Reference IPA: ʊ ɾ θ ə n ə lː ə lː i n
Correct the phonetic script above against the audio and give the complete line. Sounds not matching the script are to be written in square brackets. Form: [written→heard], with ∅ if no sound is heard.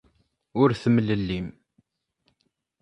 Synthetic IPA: ʊ ɾ θ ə [n→m] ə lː ə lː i [n→m]